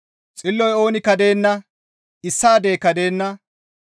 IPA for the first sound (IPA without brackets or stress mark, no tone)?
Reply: t͡sʼ